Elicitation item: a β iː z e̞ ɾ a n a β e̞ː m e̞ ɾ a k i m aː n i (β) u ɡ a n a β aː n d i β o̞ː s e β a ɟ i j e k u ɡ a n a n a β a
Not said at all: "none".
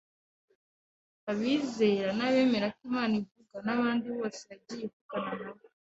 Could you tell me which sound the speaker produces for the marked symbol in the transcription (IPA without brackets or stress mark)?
v